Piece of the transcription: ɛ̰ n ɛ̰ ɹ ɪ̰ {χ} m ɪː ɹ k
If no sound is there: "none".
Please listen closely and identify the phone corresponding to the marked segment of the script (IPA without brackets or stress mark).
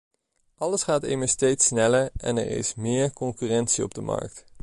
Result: s